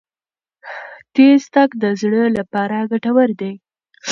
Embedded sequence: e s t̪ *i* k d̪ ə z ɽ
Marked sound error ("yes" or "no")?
yes